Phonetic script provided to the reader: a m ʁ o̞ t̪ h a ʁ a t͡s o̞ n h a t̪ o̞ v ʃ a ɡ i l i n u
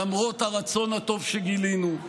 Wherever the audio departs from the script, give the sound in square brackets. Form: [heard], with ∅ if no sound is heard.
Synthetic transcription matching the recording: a m ʁ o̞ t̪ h a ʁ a t͡s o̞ n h a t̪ o̞ v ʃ [e] ɡ i l i n u